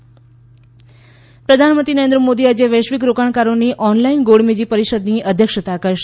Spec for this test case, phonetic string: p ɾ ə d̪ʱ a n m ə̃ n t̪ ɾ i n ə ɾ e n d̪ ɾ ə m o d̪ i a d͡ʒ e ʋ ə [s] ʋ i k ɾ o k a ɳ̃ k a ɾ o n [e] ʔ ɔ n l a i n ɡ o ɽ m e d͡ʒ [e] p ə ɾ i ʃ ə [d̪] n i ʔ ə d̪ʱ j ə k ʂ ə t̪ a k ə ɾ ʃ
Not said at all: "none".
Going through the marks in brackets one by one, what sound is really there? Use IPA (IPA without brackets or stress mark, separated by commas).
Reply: ʃ, i, i, d̪